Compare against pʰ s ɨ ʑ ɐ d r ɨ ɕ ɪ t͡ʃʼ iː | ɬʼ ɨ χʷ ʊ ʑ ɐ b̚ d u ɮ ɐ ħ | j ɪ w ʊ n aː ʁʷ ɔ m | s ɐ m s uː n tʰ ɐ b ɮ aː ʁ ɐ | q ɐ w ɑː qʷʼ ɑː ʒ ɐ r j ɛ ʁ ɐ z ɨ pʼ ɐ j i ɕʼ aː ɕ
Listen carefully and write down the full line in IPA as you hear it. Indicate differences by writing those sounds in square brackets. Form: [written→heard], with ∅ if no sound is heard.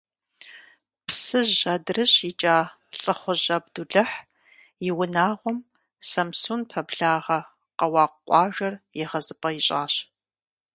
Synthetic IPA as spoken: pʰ s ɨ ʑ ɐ d r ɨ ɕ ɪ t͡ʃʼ [iː→aː] | ɬʼ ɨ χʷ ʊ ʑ ɐ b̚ d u ɮ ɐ ħ | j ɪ w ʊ n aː ʁʷ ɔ m | s ɐ m s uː n [tʰ→pʰ] ɐ b ɮ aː ʁ ɐ | q ɐ w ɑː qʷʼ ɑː ʒ ɐ r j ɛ ʁ ɐ z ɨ pʼ ɐ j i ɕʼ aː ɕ